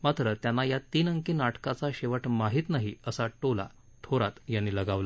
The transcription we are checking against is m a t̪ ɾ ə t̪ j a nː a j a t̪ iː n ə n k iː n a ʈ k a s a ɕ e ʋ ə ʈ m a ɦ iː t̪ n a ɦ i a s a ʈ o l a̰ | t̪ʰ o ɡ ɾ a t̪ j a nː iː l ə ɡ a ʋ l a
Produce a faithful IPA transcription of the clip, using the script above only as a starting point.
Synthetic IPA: m a t̪ ɾ ə t̪ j a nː a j a t̪ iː n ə ŋ k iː n a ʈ k a t͡s a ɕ e ʋ ə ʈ m a ɦ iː t̪ n a ɦ i ə s a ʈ o l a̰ | t̪ʰ o ɾ a t̪ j a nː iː l ə ɡ a ʋ l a